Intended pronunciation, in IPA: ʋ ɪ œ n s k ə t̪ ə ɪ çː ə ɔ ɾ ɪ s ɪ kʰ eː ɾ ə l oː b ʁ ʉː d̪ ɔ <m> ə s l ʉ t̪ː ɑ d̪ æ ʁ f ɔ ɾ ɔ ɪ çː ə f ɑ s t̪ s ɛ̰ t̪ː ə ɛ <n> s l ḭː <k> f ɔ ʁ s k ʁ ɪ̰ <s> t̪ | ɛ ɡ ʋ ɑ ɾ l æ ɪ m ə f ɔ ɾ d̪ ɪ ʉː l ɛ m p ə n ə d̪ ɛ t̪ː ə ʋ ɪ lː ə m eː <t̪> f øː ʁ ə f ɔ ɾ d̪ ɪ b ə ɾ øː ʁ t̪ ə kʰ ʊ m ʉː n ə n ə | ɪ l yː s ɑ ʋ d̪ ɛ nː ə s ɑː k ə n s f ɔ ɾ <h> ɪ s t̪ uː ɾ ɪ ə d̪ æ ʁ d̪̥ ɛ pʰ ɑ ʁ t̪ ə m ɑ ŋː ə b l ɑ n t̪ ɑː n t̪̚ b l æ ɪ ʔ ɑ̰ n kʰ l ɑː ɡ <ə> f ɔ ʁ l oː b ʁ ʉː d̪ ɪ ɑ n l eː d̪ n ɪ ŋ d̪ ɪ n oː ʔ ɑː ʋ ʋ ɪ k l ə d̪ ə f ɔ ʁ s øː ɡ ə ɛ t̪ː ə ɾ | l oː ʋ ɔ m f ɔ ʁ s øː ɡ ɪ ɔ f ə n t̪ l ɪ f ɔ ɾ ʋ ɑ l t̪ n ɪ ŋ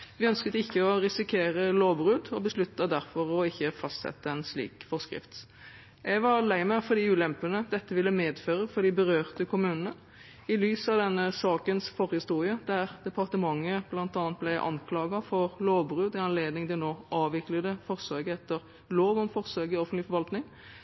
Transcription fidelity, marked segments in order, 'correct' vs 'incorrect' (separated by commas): incorrect, correct, correct, incorrect, incorrect, correct, incorrect